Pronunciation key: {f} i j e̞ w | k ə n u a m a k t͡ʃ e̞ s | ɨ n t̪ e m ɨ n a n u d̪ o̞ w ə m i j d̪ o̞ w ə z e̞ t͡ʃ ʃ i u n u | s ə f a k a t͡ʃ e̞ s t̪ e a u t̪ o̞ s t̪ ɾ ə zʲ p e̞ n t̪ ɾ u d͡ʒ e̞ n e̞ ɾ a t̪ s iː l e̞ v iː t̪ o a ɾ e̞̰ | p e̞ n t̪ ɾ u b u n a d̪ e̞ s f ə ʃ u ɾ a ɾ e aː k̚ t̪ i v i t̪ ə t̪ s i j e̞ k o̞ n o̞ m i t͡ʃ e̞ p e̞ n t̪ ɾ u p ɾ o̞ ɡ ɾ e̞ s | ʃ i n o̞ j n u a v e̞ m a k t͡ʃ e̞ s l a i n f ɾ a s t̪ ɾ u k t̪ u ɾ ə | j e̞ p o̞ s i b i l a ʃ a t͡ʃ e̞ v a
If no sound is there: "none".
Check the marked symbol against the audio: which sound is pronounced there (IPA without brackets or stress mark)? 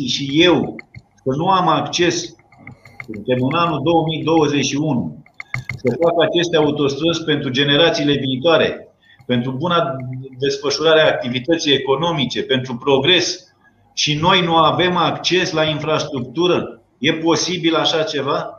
ʃ